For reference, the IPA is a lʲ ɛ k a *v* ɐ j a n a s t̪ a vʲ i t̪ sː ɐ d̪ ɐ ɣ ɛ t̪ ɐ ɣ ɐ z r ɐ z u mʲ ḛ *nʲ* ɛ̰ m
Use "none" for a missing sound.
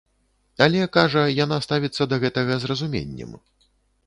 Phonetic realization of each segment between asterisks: ʐ, nʲː

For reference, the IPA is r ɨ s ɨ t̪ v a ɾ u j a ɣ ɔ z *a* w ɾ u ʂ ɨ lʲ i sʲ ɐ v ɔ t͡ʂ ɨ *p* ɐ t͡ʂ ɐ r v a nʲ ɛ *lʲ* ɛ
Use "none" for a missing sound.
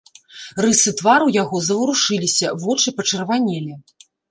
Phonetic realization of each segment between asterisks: ɐ, p, lʲ

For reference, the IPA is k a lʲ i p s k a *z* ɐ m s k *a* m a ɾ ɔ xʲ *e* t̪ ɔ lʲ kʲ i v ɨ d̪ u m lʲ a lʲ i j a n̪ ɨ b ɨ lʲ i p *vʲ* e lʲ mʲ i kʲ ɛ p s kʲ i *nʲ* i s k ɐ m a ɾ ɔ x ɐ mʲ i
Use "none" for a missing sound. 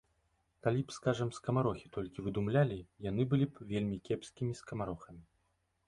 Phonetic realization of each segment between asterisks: ʐ, ɐ, i, vʲ, mʲ

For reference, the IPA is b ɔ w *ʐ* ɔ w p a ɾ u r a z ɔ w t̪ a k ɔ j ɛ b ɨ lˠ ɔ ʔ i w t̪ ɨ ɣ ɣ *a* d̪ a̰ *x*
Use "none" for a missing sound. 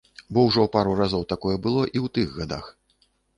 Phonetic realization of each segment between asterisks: ʐ, a, x

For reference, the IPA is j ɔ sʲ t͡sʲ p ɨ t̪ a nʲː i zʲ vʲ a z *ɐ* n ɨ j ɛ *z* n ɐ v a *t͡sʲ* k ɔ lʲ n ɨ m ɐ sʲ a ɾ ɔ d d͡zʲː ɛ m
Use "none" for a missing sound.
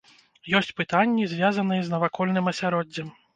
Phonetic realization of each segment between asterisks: ɐ, z, none

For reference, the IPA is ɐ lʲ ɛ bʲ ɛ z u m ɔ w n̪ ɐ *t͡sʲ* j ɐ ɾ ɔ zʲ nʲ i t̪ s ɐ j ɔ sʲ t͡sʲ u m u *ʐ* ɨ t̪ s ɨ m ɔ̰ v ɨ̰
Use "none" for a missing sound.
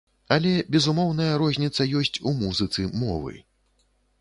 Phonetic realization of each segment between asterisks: none, z

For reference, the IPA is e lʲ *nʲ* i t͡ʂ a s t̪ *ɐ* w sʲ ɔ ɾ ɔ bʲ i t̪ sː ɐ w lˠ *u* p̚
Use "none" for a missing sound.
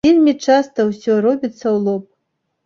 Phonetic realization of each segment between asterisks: mʲ, ɐ, ɔ

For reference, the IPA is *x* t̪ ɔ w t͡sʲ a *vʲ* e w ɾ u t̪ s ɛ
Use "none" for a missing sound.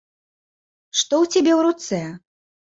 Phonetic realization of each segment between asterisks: ʂ, bʲ

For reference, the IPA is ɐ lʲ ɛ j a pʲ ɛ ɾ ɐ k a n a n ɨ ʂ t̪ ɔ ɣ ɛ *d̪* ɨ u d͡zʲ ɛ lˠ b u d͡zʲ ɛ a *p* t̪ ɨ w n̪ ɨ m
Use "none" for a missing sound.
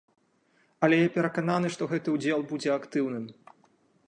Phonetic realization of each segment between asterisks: t̪, k

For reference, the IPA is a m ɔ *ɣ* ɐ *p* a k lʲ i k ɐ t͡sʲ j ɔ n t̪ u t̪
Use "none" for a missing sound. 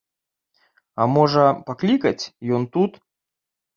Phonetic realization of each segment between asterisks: ʐ, p

